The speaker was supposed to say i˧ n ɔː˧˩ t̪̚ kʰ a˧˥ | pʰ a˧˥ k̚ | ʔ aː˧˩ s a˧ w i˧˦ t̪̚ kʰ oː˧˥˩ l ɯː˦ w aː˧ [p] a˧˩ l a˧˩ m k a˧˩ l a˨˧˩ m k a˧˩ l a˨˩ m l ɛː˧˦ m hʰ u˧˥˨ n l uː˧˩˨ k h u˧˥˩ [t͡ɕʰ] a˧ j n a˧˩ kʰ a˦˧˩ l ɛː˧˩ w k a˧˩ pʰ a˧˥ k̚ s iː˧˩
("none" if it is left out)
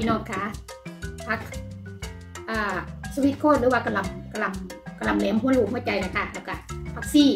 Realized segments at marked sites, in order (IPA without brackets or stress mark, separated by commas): k, t͡ɕ